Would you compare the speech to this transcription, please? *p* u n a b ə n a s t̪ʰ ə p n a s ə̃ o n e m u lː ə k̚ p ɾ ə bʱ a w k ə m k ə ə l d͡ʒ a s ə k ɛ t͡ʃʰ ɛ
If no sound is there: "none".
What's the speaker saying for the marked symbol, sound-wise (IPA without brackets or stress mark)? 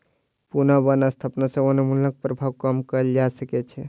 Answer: p